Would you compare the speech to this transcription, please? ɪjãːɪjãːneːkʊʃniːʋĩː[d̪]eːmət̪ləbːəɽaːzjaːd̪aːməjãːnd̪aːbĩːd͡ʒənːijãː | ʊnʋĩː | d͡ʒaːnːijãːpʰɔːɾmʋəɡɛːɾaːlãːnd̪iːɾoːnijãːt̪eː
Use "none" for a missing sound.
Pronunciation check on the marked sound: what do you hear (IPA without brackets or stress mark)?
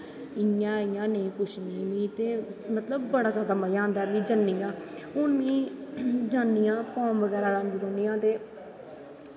t̪